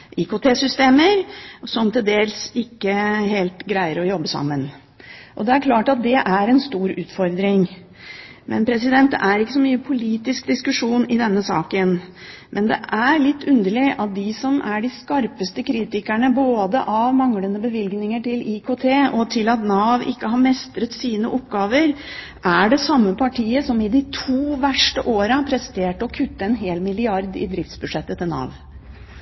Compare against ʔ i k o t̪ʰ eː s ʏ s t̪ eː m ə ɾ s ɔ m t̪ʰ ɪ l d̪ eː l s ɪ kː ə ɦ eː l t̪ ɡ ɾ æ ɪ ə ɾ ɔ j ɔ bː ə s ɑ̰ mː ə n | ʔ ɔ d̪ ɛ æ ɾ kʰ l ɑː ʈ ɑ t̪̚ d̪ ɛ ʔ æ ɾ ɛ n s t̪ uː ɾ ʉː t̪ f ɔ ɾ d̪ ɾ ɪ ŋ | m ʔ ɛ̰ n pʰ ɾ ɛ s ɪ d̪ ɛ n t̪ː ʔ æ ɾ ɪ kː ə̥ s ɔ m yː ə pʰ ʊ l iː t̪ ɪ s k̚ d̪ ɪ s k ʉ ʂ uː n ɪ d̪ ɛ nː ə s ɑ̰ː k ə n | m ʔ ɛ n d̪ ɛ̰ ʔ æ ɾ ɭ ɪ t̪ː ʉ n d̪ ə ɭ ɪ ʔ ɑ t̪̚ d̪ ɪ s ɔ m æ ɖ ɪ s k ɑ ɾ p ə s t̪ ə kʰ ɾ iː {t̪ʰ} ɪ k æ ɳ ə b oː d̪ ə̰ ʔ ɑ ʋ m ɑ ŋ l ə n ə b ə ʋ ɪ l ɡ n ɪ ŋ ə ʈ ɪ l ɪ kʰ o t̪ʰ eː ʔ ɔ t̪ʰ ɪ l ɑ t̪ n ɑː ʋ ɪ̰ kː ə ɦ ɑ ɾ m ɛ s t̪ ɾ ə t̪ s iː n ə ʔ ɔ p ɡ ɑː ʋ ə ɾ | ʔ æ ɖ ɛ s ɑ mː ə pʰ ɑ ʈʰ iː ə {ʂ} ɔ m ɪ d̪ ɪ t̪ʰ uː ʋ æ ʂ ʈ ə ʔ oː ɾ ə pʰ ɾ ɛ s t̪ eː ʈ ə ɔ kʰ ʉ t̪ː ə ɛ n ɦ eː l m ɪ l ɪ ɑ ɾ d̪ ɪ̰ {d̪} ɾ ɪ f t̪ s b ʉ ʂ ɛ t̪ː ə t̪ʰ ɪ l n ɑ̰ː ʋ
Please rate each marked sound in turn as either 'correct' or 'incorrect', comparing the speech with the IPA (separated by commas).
incorrect, incorrect, correct